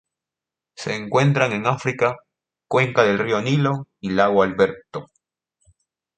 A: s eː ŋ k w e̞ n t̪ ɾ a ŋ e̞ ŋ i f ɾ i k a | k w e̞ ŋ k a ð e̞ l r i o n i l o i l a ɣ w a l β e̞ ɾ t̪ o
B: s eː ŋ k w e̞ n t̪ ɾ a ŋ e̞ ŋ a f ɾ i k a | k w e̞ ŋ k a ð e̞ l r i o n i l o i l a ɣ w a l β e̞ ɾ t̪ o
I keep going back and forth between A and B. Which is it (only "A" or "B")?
B